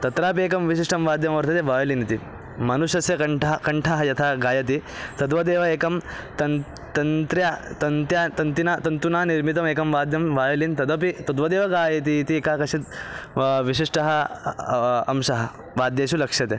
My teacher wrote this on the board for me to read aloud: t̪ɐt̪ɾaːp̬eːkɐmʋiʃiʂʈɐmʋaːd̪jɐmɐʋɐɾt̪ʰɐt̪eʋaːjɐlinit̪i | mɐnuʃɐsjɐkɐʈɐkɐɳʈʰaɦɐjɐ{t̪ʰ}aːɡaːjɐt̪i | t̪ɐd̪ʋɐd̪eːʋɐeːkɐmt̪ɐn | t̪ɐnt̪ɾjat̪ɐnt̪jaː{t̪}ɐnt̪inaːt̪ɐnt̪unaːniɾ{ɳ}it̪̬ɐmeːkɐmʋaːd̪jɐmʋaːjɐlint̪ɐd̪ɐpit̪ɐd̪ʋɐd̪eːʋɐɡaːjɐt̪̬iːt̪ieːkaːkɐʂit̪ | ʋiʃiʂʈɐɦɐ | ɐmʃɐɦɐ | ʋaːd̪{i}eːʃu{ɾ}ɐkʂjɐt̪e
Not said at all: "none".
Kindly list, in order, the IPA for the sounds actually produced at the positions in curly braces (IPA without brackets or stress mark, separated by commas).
t̪ʰ, t̪, m, j, l